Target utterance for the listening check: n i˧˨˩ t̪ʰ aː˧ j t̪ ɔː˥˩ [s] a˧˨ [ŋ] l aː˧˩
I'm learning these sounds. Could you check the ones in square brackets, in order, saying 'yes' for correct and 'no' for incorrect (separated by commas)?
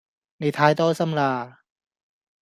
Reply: yes, no